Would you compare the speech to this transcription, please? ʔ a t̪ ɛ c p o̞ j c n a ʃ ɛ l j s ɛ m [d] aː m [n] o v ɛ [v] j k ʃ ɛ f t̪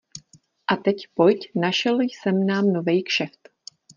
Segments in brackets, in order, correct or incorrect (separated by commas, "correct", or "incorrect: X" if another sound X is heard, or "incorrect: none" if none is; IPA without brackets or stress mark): incorrect: n, correct, incorrect: none